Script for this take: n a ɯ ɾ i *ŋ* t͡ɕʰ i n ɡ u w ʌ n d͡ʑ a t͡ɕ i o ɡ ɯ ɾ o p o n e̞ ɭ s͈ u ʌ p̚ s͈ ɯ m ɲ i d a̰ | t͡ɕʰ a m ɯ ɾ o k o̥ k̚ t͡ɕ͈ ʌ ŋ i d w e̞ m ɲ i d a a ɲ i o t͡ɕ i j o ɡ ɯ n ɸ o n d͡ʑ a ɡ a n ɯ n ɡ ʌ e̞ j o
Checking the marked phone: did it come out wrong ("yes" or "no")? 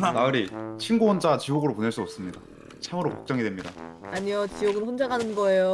yes